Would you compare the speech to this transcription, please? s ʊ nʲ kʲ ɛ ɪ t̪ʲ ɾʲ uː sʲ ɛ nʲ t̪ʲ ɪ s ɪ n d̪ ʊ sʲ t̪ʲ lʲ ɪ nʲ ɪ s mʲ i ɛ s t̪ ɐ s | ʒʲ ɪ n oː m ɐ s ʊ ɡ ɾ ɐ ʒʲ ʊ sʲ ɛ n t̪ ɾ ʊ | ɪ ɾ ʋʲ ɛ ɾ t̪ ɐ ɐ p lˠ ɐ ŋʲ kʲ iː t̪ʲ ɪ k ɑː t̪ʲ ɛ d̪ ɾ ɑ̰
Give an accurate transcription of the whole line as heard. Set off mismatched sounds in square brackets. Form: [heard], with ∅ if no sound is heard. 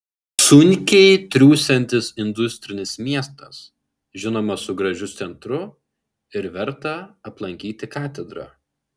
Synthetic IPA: s ʊ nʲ kʲ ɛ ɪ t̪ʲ ɾʲ uː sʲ ɛ nʲ t̪ʲ ɪ s ɪ n d̪ ʊ sʲ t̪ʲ [ɾʲ] ɪ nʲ ɪ s mʲ i ɛ s t̪ ɐ s | ʒʲ ɪ n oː m ɐ s ʊ ɡ ɾ ɐ ʒʲ ʊ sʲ ɛ n t̪ ɾ ʊ | ɪ ɾ ʋʲ ɛ ɾ t̪ ɐ ɐ p lˠ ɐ ŋʲ kʲ iː t̪ʲ ɪ k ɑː t̪ʲ ɛ d̪ ɾ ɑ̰

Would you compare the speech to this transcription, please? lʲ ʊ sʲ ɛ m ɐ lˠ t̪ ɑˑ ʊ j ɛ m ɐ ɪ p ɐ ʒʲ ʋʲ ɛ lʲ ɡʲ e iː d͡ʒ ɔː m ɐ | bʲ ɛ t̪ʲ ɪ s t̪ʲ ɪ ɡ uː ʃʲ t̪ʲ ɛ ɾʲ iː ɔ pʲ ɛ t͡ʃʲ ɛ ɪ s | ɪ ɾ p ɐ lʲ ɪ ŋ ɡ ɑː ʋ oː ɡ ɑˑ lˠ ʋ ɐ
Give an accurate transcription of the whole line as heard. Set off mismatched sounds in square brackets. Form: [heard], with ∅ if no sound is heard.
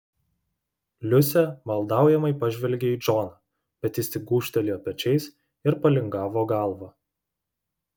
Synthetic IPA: lʲ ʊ sʲ ɛ m ɐ lˠ [d̪] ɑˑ ʊ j ɛ m ɐ ɪ p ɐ ʒʲ ʋʲ ɛ lʲ ɡʲ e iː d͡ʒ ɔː [n] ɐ | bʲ ɛ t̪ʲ ɪ s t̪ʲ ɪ ɡ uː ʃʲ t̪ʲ ɛ [lʲ] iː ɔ pʲ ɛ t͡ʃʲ ɛ ɪ s | ɪ ɾ p ɐ lʲ ɪ ŋ ɡ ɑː ʋ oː ɡ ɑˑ lˠ ʋ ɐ

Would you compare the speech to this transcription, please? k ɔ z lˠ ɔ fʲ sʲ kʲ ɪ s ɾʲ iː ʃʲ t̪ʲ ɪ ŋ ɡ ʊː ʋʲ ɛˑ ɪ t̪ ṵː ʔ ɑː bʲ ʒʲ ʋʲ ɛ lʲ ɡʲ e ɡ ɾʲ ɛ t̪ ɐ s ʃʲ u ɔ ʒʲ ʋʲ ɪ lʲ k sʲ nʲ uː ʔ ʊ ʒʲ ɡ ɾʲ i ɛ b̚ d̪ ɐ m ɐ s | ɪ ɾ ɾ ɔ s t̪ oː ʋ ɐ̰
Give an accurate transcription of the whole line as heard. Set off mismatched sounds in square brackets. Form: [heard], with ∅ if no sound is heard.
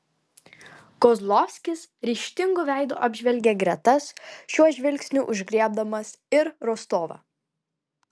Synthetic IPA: k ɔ z lˠ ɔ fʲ sʲ kʲ ɪ s ɾʲ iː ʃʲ t̪ʲ ɪ ŋ ɡ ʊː ʋʲ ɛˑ ɪ [d̪] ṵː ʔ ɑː bʲ ʒʲ ʋʲ ɛ lʲ ɡʲ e ɡ ɾʲ ɛ t̪ ɐ s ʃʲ u ɔ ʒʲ ʋʲ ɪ lʲ k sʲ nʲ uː ʔ ʊ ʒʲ ɡ ɾʲ i ɛ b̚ d̪ ɐ m ɐ s | ɪ ɾ ɾ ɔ s t̪ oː ʋ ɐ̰

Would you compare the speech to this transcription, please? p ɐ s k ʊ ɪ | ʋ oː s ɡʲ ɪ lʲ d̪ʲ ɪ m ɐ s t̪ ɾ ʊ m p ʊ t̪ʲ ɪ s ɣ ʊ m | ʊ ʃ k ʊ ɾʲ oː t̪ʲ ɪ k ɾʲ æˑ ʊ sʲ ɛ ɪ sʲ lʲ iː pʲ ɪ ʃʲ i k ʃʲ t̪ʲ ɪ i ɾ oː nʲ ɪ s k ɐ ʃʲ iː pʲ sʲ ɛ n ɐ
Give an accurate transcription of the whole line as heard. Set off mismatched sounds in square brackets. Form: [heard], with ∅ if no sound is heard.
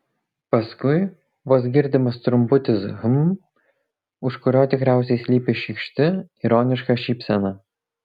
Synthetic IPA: p ɐ s k ʊ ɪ | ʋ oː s ɡʲ ɪ [ɾʲ] d̪ʲ ɪ m ɐ s t̪ ɾ ʊ m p ʊ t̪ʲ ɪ s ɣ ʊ m | ʊ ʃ k ʊ ɾʲ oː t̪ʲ ɪ k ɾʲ æˑ ʊ sʲ ɛ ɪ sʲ lʲ iː pʲ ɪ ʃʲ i k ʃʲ t̪ʲ ɪ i ɾ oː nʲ ɪ [ʃ] k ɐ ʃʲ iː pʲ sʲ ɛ n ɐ

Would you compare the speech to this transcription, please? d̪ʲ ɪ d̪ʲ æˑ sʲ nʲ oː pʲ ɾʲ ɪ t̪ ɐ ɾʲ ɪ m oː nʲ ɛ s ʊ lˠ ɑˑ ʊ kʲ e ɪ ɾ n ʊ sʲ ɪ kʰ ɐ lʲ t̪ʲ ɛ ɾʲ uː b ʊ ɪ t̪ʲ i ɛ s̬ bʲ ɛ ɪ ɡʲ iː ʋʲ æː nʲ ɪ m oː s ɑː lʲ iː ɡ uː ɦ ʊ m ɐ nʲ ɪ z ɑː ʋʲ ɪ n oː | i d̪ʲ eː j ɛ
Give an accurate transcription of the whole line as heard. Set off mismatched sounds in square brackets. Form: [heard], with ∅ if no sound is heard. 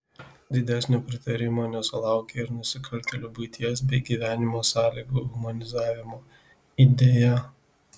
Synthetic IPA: d̪ʲ ɪ d̪ʲ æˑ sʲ nʲ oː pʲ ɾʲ ɪ t̪ ɐ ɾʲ ɪ m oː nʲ ɛ s ʊ lˠ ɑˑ ʊ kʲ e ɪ ɾ n ʊ sʲ ɪ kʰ ɐ lʲ t̪ʲ ɛ [lʲ] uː b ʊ ɪ t̪ʲ i ɛ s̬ bʲ ɛ ɪ ɡʲ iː ʋʲ æː nʲ ɪ m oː s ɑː lʲ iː ɡ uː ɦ ʊ m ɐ nʲ ɪ z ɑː ʋʲ ɪ [m] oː | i d̪ʲ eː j ɛ

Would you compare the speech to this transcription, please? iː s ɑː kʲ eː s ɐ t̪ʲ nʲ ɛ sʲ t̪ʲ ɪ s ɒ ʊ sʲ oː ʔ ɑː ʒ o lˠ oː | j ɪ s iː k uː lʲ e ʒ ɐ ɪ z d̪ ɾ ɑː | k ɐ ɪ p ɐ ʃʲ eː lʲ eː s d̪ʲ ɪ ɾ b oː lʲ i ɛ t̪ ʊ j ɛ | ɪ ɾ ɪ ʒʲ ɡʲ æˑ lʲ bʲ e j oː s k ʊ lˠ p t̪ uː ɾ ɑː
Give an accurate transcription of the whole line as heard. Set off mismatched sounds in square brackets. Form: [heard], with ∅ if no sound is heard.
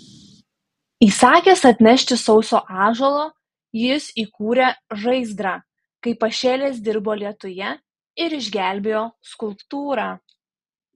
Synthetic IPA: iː s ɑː kʲ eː s ɐ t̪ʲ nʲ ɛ [ʃʲ] t̪ʲ ɪ s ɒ ʊ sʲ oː ʔ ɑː ʒ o lˠ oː | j ɪ s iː k uː [ɾʲ] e ʒ ɐ ɪ z d̪ ɾ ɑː | k ɐ ɪ p ɐ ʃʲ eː lʲ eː s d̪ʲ ɪ ɾ b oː lʲ i ɛ t̪ ʊ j ɛ | ɪ ɾ ɪ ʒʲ ɡʲ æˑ lʲ bʲ e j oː s k ʊ lˠ p t̪ uː ɾ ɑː

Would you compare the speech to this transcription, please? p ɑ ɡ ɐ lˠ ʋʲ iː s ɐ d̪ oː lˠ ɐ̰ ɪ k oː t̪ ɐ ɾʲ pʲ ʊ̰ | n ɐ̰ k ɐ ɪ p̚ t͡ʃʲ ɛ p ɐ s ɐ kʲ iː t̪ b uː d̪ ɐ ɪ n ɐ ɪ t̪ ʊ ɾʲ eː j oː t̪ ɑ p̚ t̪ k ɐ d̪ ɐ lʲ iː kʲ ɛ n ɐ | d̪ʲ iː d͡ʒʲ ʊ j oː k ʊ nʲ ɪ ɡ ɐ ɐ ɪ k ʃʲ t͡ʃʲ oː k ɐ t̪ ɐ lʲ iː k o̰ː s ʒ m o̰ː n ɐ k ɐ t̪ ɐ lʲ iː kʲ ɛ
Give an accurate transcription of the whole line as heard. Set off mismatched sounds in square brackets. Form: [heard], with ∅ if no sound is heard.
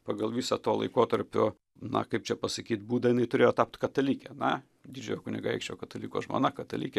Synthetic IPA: p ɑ ɡ ɐ lˠ ʋʲ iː s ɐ [t̪] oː lˠ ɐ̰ ɪ k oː t̪ ɐ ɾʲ pʲ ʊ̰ | n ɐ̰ k ɐ ɪ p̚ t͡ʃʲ ɛ p ɐ s ɐ kʲ iː t̪ b uː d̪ ɐ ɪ n ɐ ɪ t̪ ʊ ɾʲ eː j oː t̪ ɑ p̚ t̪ k ɐ [t̪] ɐ lʲ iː kʲ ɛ n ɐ | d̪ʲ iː d͡ʒʲ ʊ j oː k ʊ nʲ ɪ ɡ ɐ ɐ ɪ k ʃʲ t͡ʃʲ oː k ɐ t̪ ɐ lʲ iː k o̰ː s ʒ m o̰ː n ɐ k ɐ t̪ ɐ lʲ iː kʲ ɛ

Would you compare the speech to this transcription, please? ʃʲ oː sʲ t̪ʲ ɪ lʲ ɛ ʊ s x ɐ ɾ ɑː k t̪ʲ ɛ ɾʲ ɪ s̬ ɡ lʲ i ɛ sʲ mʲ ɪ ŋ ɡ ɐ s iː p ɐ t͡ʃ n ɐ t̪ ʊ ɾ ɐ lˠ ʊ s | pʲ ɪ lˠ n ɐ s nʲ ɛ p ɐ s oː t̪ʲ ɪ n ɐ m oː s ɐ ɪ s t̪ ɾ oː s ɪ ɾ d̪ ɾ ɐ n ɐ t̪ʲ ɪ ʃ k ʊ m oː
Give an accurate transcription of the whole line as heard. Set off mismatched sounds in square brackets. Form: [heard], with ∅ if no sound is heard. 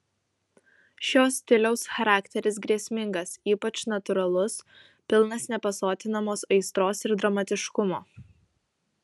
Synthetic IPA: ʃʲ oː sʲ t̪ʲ ɪ lʲ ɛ ʊ s x ɐ ɾ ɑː k t̪ʲ ɛ ɾʲ ɪ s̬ ɡ [ɾʲ] i ɛ sʲ mʲ ɪ ŋ ɡ ɐ s iː p ɐ t͡ʃ n ɐ t̪ ʊ ɾ ɐ lˠ ʊ s | pʲ ɪ lˠ n ɐ s nʲ ɛ p ɐ s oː t̪ʲ ɪ n ɐ m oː s ɐ ɪ s t̪ ɾ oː s ɪ ɾ d̪ ɾ ɐ [m] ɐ t̪ʲ ɪ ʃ k ʊ m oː

